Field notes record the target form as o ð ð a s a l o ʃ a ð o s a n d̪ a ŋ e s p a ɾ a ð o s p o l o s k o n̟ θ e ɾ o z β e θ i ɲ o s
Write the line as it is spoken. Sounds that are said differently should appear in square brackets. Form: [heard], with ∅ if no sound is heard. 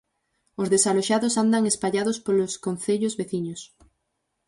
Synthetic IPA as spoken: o [z] ð [e] s a l o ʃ a ð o s a n d̪ a ŋ e s p a [ʎ] a ð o s p o l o s k o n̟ θ e [ʎ] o z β e θ i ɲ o s